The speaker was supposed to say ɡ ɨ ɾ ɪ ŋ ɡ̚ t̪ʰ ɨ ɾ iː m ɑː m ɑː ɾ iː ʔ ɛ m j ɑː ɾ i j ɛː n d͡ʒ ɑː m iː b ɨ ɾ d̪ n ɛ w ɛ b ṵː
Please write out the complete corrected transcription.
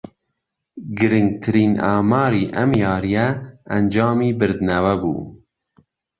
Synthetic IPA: ɡ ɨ ɾ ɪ ŋ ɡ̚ t̪ʰ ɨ ɾ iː n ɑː m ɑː ɾ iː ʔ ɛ m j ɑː ɾ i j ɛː n d͡ʒ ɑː m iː b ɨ ɾ d̪ n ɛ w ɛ b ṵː